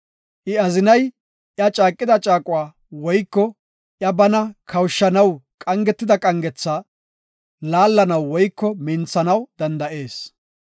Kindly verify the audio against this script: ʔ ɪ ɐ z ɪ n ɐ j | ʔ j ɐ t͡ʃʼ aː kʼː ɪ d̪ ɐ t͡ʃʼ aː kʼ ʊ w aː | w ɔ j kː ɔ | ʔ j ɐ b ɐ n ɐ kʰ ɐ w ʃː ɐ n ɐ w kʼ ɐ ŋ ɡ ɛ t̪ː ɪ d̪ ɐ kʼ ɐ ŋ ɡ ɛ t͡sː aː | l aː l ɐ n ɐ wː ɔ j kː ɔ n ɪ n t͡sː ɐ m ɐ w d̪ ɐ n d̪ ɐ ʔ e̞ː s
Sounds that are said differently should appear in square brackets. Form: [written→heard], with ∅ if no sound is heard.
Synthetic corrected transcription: ʔ ɪ ɐ z ɪ n ɐ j | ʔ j ɐ t͡ʃʼ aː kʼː ɪ d̪ ɐ t͡ʃʼ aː kʼ ʊ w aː | w ɔ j kː ɔ | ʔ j ɐ b ɐ n ɐ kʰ ɐ w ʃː ɐ n ɐ w kʼ ɐ ŋ ɡ ɛ t̪ː ɪ d̪ ɐ kʼ ɐ ŋ ɡ ɛ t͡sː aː | l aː [l→lː] ɐ n ɐ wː ɔ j kː ɔ [n→m] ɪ n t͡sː ɐ [m→n] ɐ w d̪ ɐ n d̪ ɐ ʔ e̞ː s